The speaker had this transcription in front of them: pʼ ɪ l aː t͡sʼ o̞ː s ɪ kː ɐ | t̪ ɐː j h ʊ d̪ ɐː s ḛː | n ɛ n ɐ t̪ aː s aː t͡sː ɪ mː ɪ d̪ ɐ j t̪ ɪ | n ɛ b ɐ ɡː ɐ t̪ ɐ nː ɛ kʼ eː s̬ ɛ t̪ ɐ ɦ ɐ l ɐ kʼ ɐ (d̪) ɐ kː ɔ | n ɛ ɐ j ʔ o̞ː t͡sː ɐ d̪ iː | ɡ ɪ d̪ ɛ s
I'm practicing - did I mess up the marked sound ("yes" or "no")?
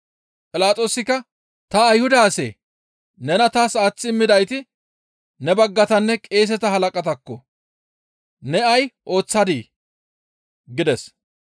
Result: yes